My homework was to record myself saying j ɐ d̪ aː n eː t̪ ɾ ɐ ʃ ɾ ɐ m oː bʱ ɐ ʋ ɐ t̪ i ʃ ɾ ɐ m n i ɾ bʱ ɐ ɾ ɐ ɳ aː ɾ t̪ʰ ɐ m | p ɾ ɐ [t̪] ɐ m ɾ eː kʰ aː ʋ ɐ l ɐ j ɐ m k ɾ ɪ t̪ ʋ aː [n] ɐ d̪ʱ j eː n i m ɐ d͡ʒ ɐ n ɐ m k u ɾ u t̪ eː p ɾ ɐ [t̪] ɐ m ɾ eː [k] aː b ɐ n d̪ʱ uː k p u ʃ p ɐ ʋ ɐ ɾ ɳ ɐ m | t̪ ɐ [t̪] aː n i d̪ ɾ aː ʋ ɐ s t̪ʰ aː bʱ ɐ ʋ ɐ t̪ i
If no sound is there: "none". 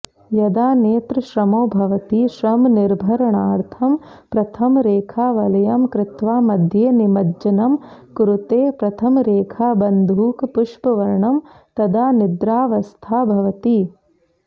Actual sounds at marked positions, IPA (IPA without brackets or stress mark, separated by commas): t̪ʰ, m, t̪ʰ, kʰ, d̪